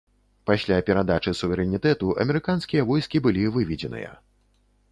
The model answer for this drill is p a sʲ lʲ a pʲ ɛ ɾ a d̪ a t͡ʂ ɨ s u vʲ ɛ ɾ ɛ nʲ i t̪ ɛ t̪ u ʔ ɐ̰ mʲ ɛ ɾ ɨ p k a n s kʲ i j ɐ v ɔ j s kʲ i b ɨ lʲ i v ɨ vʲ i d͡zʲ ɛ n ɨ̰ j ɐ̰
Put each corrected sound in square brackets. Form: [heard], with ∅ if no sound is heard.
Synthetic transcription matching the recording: p a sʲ lʲ a pʲ ɛ ɾ a d̪ a t͡ʂ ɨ s u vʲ ɛ ɾ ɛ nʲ i t̪ ɛ t̪ u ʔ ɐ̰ mʲ ɛ ɾ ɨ [∅] k a n s kʲ i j ɐ v ɔ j s kʲ i b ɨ lʲ i v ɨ vʲ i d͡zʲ ɛ n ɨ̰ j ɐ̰